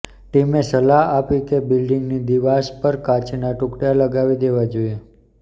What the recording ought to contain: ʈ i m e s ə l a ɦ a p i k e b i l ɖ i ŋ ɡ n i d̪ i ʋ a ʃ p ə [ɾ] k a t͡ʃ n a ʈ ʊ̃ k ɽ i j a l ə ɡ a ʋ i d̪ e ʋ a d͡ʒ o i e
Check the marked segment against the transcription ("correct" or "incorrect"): correct